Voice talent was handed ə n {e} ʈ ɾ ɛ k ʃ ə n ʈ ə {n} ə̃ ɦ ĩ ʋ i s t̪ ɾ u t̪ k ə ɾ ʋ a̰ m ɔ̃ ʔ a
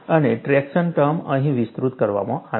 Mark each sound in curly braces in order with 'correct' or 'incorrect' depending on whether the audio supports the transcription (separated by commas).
correct, incorrect